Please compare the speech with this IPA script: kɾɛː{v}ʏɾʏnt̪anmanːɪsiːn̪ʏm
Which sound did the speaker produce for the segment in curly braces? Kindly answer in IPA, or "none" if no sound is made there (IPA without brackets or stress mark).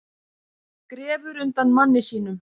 v